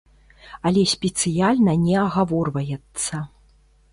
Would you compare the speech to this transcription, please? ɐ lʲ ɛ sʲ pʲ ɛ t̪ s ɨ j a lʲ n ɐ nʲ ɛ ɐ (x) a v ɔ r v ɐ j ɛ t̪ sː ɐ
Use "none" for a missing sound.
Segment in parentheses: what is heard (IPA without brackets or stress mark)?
ɣ